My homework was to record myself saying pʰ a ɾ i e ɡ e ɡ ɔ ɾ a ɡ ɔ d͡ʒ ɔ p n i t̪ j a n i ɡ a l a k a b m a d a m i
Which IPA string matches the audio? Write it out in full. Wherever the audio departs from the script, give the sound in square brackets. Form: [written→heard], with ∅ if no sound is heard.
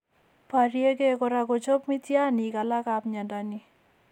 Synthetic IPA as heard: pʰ a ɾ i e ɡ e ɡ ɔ ɾ a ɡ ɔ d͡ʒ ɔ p [n→m] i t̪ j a n i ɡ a l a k a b [m→ɲ] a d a [m→n] i